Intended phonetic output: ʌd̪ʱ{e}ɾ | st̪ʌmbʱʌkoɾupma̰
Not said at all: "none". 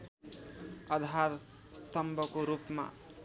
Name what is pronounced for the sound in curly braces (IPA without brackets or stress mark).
a